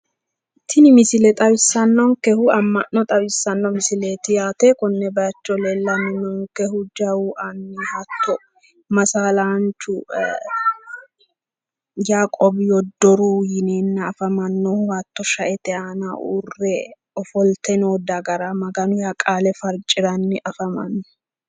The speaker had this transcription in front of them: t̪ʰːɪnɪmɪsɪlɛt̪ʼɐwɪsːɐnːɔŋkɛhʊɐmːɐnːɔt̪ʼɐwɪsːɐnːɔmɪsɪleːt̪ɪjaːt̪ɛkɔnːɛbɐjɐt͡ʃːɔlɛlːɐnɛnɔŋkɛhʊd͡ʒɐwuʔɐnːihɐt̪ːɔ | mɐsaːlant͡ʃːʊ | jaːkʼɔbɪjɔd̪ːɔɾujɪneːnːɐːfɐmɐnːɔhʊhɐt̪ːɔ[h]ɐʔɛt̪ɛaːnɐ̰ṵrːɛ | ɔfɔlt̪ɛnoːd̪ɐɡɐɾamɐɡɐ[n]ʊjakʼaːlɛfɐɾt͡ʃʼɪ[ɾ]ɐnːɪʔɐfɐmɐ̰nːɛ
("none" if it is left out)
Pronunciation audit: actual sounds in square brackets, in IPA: ʃ, n, ɾ

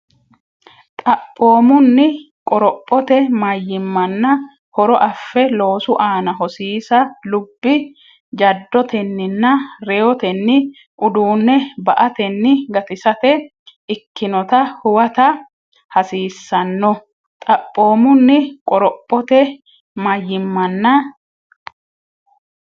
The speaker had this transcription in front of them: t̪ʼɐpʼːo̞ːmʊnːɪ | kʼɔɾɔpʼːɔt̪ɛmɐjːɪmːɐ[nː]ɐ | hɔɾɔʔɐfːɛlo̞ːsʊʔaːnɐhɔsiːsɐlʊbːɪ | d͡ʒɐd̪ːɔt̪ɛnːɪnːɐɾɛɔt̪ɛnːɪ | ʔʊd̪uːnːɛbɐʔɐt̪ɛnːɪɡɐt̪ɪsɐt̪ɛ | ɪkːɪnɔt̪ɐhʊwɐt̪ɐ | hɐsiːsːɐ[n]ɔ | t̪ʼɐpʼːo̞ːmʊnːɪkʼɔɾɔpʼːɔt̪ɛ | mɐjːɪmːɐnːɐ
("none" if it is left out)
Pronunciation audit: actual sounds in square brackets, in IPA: nː, nː

